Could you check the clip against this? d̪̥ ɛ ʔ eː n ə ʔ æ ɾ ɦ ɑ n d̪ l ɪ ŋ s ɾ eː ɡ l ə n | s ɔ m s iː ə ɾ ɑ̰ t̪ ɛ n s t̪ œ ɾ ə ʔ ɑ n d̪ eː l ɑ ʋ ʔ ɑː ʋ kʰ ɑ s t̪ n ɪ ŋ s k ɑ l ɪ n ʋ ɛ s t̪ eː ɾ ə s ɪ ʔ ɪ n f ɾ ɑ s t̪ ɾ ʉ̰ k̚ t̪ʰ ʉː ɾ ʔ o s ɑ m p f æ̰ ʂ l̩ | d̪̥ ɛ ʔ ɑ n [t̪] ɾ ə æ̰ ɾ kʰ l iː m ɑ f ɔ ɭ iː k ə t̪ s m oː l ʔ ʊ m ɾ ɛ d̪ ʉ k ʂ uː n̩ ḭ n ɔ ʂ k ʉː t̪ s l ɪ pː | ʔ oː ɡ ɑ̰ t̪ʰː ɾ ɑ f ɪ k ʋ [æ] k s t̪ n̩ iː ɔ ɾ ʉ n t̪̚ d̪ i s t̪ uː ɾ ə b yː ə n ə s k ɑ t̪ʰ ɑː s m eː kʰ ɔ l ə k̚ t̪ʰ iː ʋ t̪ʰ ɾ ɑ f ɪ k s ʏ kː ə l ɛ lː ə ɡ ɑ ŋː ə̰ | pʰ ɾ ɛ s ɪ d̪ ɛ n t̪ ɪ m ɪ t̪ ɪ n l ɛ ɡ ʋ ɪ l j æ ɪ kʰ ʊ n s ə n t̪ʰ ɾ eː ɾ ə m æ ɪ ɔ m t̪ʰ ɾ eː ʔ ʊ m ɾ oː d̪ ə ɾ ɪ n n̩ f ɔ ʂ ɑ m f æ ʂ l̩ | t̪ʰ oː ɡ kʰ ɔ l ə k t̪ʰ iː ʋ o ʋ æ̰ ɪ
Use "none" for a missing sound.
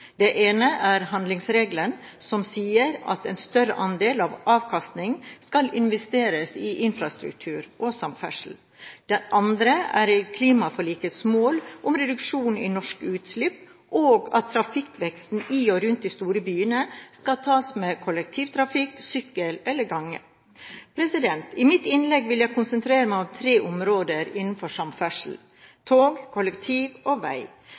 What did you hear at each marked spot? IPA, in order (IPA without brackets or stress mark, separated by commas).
d̪, ɛ